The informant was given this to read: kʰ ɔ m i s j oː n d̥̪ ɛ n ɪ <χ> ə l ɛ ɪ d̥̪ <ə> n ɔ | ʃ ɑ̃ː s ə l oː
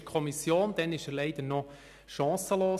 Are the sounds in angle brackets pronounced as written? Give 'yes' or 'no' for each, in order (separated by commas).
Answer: no, yes